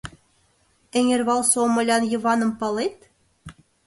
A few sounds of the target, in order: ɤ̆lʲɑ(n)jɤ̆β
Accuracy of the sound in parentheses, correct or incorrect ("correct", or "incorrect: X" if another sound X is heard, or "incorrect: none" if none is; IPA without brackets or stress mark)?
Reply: correct